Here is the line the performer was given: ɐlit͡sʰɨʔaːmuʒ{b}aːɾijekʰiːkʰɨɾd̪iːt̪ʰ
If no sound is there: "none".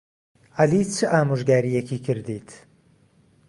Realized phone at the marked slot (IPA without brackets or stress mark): ɡ